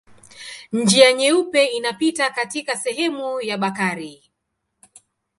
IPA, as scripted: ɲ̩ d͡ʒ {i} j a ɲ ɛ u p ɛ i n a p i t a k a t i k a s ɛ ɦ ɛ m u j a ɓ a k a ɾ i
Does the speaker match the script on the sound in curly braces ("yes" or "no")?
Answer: yes